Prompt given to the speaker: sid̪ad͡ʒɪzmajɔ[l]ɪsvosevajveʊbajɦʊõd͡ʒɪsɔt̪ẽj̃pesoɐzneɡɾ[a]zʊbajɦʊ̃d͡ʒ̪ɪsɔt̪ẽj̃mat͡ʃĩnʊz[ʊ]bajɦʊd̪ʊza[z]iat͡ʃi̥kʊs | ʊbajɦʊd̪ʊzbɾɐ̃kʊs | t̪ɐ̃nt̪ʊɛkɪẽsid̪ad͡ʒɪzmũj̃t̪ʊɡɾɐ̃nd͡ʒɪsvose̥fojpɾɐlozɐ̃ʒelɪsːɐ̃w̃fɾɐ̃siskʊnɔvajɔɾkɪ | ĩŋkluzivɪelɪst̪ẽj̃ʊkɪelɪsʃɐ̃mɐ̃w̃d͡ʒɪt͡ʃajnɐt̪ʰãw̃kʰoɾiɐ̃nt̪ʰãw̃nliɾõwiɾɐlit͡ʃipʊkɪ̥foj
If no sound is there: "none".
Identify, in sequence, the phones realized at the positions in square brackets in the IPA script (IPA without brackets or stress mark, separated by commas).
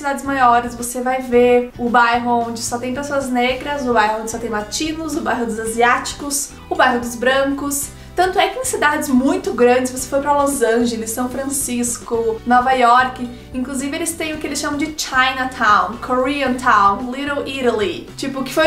ɾ, ɐ, ʊ, z